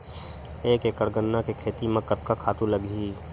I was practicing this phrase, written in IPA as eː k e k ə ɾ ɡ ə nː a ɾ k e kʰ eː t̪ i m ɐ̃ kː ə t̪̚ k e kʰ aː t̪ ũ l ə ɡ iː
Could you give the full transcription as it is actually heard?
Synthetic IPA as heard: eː k e k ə ɾ ɡ ə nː a k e kʰ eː t̪ i m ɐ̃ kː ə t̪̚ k a kʰ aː t̪ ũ l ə ɡ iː